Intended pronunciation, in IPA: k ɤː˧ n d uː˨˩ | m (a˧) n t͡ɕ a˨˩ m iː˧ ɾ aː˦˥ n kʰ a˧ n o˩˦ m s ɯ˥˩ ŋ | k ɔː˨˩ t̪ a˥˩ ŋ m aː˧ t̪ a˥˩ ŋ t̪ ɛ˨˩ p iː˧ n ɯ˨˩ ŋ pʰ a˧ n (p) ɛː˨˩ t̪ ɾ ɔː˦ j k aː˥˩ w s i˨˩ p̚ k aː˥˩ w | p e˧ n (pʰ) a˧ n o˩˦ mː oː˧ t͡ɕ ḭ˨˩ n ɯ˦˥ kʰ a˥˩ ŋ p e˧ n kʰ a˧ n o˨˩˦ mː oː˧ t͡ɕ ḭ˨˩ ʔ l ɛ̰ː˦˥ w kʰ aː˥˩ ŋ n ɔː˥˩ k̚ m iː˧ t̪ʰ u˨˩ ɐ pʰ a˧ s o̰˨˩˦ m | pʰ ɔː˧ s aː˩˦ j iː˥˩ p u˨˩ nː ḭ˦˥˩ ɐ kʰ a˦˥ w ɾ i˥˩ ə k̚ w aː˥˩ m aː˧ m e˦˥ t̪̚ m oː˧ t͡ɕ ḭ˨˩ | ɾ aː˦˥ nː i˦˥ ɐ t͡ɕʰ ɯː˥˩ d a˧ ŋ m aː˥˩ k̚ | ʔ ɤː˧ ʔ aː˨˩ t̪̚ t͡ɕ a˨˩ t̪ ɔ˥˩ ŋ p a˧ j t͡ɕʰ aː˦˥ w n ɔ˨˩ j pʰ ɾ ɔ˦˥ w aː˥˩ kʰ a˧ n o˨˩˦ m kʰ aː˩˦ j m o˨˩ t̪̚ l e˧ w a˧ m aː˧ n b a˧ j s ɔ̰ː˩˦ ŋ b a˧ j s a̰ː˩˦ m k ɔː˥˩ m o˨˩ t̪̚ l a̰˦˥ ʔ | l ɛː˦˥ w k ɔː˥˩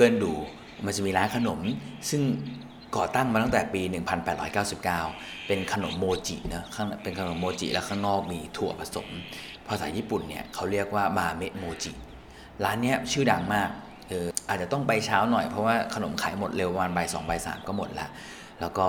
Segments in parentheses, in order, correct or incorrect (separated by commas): correct, correct, incorrect